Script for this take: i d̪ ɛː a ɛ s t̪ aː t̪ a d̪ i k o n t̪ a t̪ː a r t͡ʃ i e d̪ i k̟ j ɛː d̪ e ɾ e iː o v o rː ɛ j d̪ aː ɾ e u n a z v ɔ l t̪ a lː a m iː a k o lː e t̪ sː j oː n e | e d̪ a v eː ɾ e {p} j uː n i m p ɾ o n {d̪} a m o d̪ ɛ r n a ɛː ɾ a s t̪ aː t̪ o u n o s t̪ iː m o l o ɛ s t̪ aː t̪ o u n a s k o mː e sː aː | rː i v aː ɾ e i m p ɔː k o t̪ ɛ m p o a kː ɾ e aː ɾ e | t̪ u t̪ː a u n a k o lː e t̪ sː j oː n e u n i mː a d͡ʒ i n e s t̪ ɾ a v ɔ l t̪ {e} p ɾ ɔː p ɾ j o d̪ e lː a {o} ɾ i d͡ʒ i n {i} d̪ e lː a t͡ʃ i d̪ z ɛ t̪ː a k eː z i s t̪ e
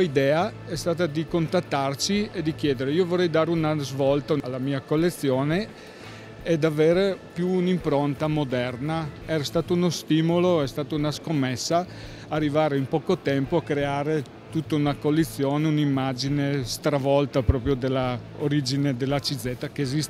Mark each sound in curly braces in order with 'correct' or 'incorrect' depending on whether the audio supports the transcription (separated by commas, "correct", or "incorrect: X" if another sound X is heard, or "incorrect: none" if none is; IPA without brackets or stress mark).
correct, incorrect: t̪, incorrect: a, correct, incorrect: e